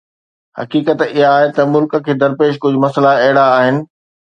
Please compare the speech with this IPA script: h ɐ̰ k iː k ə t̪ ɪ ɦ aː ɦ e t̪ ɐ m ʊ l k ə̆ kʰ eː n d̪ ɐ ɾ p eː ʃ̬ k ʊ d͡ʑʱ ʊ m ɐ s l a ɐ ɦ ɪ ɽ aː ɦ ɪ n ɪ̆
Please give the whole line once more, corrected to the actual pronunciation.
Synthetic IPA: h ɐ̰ k iː k ə t̪ ɪ ɦ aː ɦ e t̪ ɐ m ʊ l k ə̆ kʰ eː d̪ ɐ ɾ p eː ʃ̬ k ʊ d͡ʑʱ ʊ m ɐ s l a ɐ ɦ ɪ ɽ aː ɦ ɪ n ɪ̆